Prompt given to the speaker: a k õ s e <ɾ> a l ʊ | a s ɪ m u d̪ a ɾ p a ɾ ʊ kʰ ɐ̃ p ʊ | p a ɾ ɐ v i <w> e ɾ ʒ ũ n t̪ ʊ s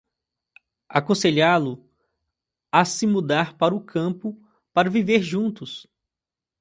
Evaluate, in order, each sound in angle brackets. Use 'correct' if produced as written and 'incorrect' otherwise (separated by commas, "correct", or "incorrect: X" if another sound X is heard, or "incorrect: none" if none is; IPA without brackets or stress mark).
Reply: incorrect: ʎ, incorrect: v